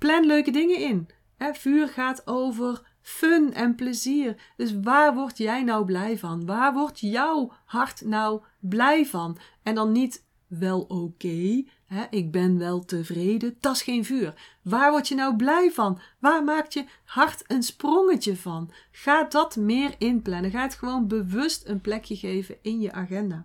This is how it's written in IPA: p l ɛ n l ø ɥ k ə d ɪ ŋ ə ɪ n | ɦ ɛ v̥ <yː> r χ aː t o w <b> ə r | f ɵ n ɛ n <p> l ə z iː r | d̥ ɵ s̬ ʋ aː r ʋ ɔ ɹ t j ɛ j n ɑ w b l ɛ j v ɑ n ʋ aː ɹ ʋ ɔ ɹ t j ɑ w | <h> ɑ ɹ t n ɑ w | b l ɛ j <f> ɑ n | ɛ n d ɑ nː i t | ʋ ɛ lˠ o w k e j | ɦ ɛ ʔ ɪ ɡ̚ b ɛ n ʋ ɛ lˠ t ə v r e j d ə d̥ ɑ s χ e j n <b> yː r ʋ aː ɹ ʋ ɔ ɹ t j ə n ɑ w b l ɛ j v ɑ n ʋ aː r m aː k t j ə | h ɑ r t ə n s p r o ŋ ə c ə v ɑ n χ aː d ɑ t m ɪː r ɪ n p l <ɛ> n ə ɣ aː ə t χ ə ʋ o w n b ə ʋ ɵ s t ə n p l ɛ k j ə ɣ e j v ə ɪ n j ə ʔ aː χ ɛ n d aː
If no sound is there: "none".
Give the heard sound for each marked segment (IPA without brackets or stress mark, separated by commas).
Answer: yː, v, p, h, v, v, ɛ